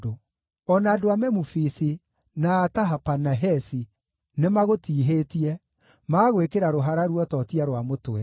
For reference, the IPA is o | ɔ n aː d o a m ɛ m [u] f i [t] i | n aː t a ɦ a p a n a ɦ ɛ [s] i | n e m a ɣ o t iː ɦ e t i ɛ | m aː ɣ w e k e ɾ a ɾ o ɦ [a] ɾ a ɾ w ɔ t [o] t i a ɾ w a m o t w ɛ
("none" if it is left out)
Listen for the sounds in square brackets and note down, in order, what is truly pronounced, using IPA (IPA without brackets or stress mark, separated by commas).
u, s, s, a, ɔ